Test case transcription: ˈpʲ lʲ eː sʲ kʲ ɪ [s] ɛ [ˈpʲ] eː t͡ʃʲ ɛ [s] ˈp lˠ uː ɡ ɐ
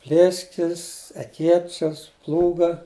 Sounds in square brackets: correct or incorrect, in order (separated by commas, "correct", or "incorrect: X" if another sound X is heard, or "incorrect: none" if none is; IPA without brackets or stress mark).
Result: correct, incorrect: kʲ, correct